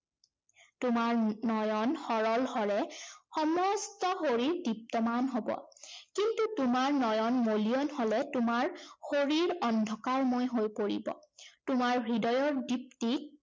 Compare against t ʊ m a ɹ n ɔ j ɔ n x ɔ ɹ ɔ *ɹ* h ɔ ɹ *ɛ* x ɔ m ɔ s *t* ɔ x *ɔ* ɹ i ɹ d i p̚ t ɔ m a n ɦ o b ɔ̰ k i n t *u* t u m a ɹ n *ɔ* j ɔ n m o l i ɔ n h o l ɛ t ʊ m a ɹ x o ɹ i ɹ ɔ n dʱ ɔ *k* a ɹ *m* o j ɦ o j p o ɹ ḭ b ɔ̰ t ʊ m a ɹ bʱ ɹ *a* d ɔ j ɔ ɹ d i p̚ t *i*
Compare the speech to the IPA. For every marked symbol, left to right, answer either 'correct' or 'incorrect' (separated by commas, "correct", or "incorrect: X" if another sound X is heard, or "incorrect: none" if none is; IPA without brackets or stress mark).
incorrect: l, correct, correct, incorrect: o, correct, correct, correct, correct, incorrect: i, correct